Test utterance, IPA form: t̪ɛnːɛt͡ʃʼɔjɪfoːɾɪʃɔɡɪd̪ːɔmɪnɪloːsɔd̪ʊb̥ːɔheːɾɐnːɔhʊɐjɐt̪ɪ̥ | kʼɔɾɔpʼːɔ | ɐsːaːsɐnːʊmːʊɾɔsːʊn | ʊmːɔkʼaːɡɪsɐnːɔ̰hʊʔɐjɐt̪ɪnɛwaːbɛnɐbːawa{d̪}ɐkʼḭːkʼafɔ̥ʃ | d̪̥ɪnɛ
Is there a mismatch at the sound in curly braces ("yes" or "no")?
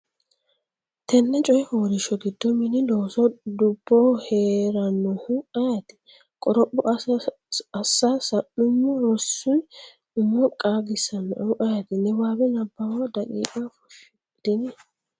no